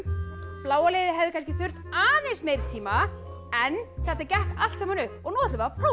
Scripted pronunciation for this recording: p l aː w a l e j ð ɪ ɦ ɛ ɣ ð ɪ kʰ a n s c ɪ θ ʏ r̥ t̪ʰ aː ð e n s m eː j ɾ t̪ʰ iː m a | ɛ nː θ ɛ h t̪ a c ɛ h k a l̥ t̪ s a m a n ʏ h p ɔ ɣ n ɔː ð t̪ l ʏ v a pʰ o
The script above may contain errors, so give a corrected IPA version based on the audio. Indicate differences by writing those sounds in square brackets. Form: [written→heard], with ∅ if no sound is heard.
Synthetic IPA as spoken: p l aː w a l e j ð ɪ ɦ ɛ [ɣ→v] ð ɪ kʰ a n s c ɪ θ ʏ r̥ [t̪ʰ→t̪] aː ð e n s m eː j ɾ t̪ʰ iː m a | ɛ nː θ ɛ h t̪ a c ɛ h k a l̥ t̪ s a m a n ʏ h p ɔ ɣ n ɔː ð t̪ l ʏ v a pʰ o